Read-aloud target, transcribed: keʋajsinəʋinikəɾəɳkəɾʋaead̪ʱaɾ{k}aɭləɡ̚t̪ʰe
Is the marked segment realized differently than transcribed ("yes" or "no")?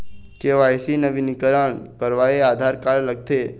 no